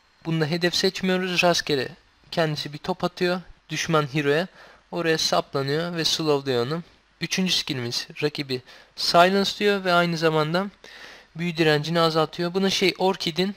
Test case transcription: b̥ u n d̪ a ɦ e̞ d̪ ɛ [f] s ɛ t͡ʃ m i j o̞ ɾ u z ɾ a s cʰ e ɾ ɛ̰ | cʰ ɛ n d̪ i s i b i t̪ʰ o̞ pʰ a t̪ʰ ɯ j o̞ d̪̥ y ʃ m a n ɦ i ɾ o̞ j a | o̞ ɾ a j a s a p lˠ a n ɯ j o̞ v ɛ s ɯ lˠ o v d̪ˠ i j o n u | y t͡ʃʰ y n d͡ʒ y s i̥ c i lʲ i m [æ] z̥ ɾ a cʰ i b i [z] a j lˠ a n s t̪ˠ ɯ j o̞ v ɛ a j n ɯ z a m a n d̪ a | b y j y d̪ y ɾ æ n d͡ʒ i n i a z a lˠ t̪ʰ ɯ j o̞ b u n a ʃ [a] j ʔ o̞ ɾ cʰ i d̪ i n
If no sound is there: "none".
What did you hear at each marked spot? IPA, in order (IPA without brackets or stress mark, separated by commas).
f, i, s, e